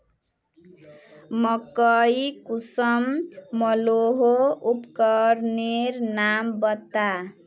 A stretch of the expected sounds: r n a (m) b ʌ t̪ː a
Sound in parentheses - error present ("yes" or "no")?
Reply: no